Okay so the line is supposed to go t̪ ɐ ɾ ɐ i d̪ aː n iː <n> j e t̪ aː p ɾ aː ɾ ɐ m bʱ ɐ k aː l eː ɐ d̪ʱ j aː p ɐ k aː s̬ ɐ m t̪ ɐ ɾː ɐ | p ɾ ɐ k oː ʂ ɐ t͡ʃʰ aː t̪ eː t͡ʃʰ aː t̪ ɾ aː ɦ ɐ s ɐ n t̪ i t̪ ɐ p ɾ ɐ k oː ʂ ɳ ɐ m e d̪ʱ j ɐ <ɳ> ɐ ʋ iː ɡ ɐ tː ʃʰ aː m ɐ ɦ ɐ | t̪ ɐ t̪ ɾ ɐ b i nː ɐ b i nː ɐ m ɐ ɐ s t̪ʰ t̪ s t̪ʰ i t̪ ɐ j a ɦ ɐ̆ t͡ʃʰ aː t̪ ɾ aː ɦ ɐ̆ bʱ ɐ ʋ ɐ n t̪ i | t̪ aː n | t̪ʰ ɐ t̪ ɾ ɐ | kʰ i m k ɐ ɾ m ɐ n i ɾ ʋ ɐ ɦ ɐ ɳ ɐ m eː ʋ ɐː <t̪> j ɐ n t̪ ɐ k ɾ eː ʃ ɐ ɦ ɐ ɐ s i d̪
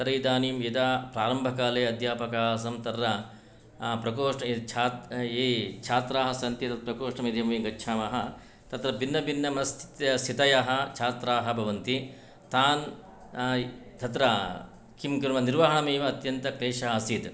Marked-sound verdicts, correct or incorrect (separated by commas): incorrect, incorrect, correct